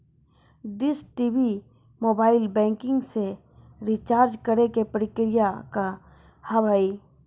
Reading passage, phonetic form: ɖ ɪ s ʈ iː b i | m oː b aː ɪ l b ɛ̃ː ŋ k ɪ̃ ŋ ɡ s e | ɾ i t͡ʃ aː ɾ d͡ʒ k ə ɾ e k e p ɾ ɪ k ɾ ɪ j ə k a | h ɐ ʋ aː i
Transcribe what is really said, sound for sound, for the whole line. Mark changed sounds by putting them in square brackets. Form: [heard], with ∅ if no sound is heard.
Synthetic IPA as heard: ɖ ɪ s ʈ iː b i | m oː b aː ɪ l b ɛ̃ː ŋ k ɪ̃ ŋ ɡ s e | ɾ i t͡ʃ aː ɾ d͡ʒ k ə ɾ e k e p ɾ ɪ k ɾ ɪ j [a] k a | h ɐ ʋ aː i